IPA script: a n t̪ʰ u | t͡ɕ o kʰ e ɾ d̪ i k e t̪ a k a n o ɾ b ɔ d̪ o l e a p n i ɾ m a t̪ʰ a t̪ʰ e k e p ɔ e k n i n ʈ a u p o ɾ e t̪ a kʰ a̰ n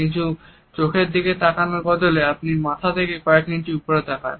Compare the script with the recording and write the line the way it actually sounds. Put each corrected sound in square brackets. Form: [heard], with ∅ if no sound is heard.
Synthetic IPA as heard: [i] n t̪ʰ u | t͡ɕ o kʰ e ɾ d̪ i k e t̪ a k a n o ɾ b ɔ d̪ o l e a p n i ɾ m a t̪ʰ a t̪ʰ e k e [k] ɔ e k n i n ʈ [i] u p o ɾ e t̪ a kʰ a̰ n

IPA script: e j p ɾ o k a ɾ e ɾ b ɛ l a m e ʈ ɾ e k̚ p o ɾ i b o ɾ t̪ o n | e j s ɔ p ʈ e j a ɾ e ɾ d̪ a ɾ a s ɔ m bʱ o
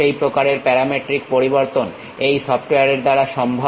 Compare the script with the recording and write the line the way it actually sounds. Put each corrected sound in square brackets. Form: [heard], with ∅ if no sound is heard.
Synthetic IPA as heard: e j p ɾ o k a ɾ e ɾ [p] ɛ [ɾ] a m e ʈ ɾ [i] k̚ p o ɾ i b o ɾ t̪ o n | e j s ɔ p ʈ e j a ɾ e ɾ d̪ a ɾ a [ʃ] ɔ m bʱ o

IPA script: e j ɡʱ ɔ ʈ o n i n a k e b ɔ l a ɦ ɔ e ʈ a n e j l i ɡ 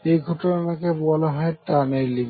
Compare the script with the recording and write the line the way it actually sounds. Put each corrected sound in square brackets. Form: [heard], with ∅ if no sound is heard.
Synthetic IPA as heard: e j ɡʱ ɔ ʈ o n [a] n a k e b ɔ l a ɦ ɔ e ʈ a n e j l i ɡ

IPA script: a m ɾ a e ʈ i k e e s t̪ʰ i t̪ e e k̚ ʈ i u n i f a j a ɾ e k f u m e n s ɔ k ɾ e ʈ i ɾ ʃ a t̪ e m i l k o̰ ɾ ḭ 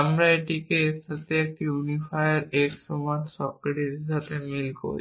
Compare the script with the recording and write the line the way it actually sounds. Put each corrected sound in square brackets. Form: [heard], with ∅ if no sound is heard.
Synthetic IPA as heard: a m ɾ a e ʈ i k e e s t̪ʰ [a] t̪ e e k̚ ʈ i u n i f a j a ɾ e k [s] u m [a] n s ɔ k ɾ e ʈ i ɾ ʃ a t̪ e m i l k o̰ ɾ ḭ

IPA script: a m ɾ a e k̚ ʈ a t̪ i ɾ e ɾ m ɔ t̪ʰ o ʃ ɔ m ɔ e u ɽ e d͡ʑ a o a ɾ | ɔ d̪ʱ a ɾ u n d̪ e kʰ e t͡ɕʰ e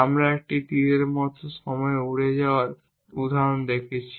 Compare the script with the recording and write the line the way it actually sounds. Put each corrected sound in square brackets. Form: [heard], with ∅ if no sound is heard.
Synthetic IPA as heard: a m ɾ a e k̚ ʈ [i] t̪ i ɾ e ɾ m ɔ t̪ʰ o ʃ ɔ m ɔ e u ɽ e d͡ʑ a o a ɾ | [u] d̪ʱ a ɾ [o] n d̪ e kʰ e t͡ɕʰ [i]

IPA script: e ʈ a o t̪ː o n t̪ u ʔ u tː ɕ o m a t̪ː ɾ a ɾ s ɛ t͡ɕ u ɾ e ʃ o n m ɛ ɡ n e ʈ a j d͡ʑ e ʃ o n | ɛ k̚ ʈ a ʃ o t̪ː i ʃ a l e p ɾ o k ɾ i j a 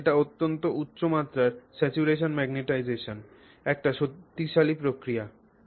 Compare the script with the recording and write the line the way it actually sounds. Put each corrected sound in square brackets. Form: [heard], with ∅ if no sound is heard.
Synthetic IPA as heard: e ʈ a o t̪ː o n t̪ [o] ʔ u tː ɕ o m a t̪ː ɾ a ɾ s ɛ t͡ɕ u ɾ e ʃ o n m ɛ ɡ n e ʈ a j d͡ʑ e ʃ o n | ɛ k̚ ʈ a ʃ o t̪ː i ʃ a l [i] p ɾ o k ɾ i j a

